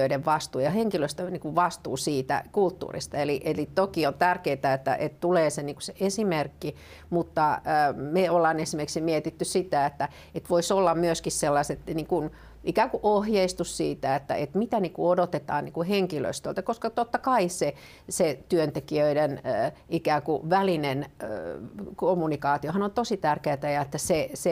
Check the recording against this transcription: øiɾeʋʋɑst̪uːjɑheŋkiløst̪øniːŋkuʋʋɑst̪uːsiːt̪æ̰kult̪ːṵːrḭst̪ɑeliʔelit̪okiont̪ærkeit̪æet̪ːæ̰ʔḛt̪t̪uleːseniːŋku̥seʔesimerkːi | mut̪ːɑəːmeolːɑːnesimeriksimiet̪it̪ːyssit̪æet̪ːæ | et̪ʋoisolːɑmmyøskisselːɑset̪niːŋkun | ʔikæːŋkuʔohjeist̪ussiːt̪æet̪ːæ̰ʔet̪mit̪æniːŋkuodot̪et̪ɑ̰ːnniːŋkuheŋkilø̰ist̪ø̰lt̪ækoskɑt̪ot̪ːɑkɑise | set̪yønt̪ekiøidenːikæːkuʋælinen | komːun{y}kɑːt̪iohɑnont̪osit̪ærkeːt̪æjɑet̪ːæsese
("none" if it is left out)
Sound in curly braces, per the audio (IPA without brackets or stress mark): i